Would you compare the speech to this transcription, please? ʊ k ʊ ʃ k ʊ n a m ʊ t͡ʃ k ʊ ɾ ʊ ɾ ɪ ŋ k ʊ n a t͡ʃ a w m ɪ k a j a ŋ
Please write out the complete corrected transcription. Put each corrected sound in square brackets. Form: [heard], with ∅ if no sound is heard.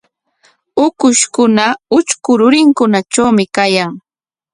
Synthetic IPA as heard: ʊ k ʊ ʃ k ʊ n a [∅] ʊ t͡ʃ k ʊ ɾ ʊ ɾ ɪ ŋ k ʊ n a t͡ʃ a w m ɪ k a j a ŋ